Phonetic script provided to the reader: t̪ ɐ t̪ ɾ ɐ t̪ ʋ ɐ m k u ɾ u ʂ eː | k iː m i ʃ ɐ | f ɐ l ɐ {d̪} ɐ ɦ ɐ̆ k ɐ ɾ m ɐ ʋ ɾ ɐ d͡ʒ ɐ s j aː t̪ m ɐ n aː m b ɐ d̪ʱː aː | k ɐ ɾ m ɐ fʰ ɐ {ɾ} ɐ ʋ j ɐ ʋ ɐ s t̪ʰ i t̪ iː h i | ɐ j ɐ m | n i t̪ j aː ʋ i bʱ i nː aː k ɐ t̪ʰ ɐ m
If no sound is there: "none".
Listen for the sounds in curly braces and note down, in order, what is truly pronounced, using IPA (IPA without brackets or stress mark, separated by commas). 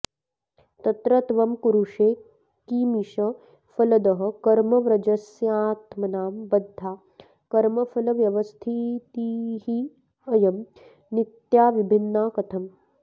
d̪, l